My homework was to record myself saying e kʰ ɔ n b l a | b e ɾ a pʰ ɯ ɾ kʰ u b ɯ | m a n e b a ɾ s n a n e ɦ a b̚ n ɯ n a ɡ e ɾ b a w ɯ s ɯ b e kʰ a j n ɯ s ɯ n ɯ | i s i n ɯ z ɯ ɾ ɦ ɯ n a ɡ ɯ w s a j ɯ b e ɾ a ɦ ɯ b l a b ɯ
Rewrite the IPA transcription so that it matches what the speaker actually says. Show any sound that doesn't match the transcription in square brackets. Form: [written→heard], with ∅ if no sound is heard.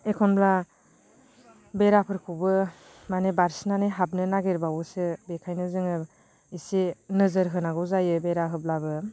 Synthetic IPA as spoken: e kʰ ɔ n b l a | b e ɾ a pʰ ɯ ɾ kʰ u b ɯ | m a n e b a ɾ s n a n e ɦ a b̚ n ɯ n a ɡ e ɾ b a w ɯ s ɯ b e kʰ a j n ɯ [s→z] ɯ [n→ŋ] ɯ | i s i n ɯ z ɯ ɾ ɦ ɯ n a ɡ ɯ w [s→z] a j ɯ b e ɾ a ɦ ɯ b l a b ɯ

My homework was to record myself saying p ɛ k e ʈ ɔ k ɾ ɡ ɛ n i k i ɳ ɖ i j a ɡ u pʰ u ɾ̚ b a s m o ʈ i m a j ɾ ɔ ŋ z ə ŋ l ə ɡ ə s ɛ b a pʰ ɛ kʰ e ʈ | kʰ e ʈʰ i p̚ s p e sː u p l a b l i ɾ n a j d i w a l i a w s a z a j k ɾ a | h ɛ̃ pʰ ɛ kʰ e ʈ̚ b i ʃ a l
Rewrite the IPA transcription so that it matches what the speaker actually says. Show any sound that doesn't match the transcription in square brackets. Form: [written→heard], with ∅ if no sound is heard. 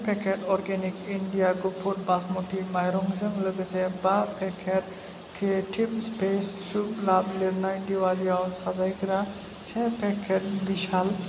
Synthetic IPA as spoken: p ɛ k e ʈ ɔ [k→∅] ɾ ɡ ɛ n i k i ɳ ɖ i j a ɡ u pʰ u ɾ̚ b a s m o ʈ i m a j ɾ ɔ ŋ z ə ŋ l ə ɡ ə s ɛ b a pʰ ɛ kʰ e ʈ | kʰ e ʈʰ i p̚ s p e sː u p l a b l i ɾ n a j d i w a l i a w s a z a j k ɾ a | [h→s] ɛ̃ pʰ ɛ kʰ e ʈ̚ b i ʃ a l

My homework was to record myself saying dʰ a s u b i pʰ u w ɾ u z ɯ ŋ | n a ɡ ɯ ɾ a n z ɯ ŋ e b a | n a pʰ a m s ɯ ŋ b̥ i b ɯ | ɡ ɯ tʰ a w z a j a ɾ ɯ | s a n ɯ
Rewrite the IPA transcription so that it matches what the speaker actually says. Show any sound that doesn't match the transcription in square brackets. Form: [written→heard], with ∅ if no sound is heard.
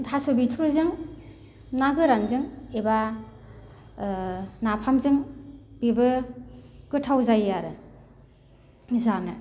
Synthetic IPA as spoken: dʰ a s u b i [pʰ→tʰ] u [w→∅] ɾ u z ɯ ŋ | n a ɡ ɯ ɾ a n z ɯ ŋ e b a | n a pʰ a m [s→z] ɯ ŋ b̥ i b ɯ | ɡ ɯ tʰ a w z a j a ɾ ɯ | [s→z] a n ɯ

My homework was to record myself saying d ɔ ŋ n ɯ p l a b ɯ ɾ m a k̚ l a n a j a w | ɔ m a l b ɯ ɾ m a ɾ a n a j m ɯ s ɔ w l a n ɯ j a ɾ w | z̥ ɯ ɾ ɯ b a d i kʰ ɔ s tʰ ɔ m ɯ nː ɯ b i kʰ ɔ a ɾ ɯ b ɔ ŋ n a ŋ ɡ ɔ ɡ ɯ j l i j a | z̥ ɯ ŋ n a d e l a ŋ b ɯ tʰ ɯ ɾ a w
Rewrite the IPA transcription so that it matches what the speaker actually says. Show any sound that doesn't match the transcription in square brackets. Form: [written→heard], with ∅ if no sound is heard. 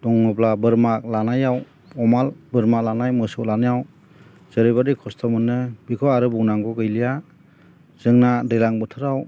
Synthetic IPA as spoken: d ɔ ŋ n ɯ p l a b ɯ ɾ m a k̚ l a n a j a w | ɔ m a l b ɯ ɾ m a [ɾ→l] a n a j m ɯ s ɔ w l a n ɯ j a [ɾ→∅] w | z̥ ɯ ɾ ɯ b a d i kʰ ɔ s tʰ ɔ m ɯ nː ɯ b i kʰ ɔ a ɾ ɯ b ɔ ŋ n a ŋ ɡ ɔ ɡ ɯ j l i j a | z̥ ɯ ŋ n a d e l a ŋ b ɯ tʰ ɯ ɾ a w

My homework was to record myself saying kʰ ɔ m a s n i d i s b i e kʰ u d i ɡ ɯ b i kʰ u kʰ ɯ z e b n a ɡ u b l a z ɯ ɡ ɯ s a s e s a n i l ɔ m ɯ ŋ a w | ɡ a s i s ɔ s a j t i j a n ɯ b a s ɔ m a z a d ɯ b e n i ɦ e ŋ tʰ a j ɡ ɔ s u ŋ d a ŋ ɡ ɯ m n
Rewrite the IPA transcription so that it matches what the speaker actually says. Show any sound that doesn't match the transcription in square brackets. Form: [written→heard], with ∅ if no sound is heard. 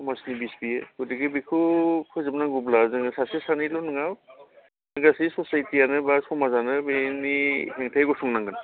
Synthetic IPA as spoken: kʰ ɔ m a s n i [d→b] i s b i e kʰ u d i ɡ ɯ b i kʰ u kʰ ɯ z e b n a ɡ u b l a z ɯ [ɡ→ŋ] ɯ s a s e s a n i l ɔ [m→n] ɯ ŋ a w | ɡ a s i s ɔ s a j t i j a n ɯ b a s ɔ m a z a [d→n] ɯ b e n i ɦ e ŋ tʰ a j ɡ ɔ s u ŋ [d→n] a ŋ ɡ ɯ [m→∅] n

